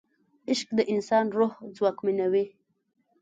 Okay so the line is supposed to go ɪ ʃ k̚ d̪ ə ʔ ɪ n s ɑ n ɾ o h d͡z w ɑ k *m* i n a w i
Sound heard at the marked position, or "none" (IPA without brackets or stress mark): m